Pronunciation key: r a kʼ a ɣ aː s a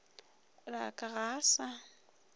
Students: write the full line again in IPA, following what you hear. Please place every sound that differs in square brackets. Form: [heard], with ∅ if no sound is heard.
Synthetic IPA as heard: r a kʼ a ɣ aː s a